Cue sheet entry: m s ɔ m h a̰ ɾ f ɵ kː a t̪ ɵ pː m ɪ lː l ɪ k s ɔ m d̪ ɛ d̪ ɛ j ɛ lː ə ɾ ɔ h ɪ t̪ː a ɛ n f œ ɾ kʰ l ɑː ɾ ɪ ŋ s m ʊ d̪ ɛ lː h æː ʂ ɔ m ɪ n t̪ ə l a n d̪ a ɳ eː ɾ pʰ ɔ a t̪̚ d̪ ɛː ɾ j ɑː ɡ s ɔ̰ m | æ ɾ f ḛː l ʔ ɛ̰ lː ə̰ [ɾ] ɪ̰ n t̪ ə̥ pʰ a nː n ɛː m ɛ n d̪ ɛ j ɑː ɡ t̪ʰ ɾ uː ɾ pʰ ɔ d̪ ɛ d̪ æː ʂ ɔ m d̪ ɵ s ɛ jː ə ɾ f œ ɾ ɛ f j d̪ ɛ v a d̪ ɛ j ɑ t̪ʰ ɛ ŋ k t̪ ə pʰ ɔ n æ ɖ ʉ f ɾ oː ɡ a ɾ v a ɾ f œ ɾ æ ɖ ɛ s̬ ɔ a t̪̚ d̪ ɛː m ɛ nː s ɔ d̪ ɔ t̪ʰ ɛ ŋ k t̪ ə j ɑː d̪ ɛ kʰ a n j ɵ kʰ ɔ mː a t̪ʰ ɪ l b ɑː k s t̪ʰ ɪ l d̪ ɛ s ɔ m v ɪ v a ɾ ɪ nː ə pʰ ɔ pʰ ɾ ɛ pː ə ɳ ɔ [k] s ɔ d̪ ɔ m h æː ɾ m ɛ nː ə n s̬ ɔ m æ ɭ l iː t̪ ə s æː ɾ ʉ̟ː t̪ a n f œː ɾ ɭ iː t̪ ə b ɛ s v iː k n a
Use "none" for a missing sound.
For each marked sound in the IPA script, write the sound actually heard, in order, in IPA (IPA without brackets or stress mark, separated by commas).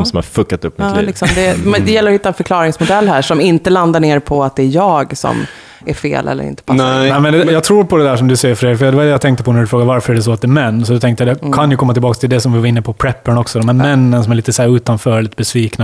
ɾ, k